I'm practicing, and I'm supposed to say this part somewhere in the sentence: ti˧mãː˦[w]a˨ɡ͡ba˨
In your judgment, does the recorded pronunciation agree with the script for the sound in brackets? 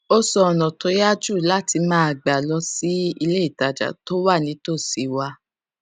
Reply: no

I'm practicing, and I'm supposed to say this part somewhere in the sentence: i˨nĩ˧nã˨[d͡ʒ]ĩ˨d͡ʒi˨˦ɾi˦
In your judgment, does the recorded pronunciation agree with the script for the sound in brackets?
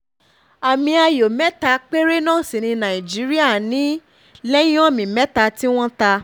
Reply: no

